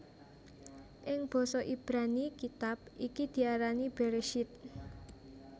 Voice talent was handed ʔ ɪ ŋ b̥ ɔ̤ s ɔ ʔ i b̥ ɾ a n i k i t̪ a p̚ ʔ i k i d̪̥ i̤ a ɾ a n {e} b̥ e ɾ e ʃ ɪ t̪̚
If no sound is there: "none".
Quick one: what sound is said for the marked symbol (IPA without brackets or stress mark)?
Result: i